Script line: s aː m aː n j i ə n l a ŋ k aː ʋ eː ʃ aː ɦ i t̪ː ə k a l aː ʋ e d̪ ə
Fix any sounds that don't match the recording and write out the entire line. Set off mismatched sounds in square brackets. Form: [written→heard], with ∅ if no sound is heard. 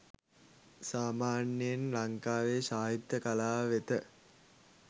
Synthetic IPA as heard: s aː m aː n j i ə n l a ŋ k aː ʋ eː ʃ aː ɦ i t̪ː ə k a l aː ʋ e [d̪→t̪] ə